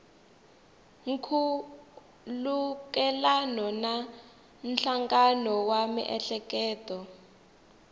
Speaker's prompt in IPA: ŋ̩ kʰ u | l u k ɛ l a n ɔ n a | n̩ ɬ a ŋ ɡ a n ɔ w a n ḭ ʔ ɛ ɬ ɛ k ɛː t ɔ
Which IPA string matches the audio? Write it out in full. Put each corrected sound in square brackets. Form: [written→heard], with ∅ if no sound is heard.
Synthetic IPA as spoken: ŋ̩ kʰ u | l u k ɛ l a n ɔ n a | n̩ ɬ a ŋ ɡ a n ɔ w a [n→m] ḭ ʔ ɛ ɬ ɛ k ɛː t ɔ